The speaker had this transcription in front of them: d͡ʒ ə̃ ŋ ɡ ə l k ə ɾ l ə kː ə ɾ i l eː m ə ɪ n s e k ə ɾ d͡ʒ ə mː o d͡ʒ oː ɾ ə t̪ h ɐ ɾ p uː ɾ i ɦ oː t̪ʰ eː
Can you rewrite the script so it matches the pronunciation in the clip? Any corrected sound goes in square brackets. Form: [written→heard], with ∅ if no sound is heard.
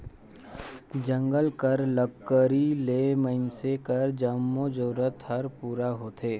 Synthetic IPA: d͡ʒ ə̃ ŋ ɡ ə l k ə ɾ l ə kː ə ɾ i l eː m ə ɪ n s e k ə ɾ d͡ʒ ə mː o d͡ʒ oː ɾ ə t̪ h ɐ ɾ p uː ɾ [i→a] ɦ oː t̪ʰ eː